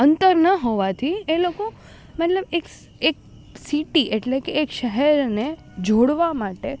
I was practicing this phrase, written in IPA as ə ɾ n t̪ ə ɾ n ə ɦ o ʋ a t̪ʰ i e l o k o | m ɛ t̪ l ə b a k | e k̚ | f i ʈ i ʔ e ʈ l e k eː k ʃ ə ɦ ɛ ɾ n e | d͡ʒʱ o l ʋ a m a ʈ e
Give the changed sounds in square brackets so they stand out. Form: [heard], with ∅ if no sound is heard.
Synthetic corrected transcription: ə [∅] n t̪ ə ɾ n ə ɦ o ʋ a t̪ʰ i e l o k o | m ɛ t̪ l ə b [e] k | e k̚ | [s] i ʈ i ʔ e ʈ l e k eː k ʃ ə ɦ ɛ ɾ n e | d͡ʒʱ o [ɽ] ʋ a m a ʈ e